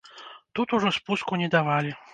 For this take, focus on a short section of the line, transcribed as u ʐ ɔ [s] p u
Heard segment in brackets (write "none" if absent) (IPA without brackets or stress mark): s